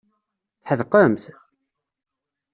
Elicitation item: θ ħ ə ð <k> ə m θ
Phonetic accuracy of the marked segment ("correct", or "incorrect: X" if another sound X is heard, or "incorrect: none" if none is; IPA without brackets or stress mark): incorrect: q